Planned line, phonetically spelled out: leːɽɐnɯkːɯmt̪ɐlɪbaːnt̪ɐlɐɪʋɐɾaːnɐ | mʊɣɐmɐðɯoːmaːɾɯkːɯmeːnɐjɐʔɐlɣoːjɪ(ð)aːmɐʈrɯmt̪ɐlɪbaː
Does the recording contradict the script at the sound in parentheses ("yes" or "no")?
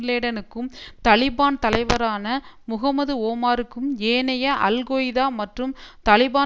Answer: no